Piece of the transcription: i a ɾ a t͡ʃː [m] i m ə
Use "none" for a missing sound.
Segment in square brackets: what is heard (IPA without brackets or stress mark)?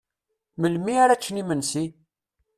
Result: n